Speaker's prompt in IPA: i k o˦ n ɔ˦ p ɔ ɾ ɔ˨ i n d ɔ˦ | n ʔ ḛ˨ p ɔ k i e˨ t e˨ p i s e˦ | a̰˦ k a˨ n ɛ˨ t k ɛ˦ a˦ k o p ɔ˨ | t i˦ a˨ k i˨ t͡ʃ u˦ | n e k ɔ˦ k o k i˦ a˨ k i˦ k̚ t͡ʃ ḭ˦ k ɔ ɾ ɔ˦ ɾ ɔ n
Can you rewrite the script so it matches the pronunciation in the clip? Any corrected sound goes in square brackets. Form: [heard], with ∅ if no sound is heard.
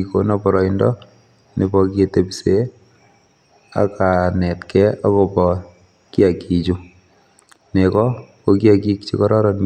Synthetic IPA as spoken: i k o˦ n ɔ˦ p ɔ ɾ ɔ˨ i n d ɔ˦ | n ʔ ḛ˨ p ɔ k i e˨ t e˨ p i s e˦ | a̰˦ k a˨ n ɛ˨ t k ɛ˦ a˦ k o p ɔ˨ | [k] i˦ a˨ k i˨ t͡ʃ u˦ | n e k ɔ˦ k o k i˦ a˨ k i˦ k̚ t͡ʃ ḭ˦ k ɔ ɾ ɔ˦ ɾ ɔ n